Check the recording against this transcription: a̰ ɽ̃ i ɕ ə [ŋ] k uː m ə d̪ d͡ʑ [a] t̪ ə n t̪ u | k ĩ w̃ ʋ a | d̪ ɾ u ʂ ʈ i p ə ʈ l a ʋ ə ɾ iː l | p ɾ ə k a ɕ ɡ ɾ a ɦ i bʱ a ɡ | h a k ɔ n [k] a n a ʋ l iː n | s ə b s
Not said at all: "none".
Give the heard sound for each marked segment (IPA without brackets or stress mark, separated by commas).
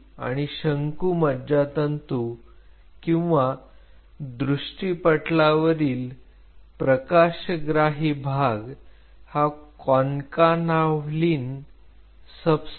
ŋ, a, k